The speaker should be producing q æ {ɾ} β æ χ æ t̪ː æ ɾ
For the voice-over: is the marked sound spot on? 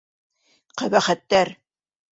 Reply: no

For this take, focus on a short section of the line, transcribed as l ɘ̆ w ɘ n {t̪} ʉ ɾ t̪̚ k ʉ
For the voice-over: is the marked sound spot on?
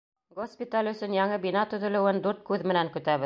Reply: no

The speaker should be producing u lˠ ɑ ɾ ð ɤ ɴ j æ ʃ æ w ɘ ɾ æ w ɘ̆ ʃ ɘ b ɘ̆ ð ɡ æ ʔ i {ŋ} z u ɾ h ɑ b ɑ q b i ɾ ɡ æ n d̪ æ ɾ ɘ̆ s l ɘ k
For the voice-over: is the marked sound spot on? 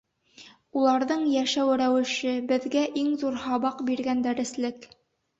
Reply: yes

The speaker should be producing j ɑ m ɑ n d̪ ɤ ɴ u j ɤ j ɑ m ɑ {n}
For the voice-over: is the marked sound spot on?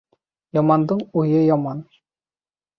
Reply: yes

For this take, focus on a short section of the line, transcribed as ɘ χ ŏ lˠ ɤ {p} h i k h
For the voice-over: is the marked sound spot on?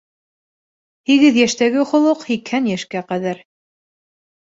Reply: no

